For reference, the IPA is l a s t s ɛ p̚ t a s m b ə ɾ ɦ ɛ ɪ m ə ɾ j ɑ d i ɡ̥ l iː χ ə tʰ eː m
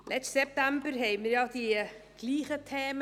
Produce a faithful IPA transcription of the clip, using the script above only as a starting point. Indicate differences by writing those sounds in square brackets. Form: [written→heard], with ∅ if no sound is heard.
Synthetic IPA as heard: l [a→ɛ] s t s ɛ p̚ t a [s→∅] m b ə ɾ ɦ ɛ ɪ m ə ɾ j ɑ d i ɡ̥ l iː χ ə tʰ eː m